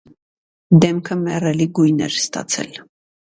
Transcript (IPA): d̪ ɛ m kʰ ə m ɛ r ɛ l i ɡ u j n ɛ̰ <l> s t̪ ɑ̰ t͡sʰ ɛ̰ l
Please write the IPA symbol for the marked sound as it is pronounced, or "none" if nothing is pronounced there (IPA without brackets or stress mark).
ɾ